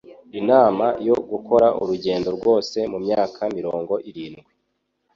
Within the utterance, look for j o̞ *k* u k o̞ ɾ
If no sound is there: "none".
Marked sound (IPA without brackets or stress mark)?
ɡ